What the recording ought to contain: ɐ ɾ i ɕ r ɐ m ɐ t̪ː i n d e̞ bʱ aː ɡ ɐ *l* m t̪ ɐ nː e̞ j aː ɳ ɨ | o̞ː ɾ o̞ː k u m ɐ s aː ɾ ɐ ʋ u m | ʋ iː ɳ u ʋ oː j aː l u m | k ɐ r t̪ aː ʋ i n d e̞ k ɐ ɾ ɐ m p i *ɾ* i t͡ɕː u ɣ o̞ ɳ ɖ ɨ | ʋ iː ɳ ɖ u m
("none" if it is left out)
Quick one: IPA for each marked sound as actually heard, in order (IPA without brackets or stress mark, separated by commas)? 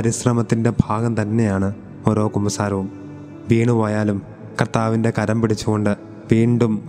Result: none, ɽ